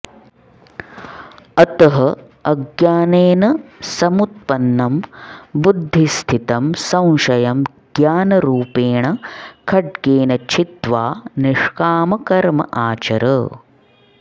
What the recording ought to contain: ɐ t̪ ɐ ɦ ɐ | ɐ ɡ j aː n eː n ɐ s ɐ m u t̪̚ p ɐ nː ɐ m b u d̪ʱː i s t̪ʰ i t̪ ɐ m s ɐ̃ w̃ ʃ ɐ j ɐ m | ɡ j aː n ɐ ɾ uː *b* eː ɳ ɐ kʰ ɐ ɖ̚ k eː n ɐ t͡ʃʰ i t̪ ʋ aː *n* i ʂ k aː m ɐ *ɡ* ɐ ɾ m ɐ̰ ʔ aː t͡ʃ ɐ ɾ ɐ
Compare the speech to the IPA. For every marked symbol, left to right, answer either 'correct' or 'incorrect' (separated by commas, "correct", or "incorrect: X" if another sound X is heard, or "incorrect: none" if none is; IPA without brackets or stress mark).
incorrect: p, correct, incorrect: k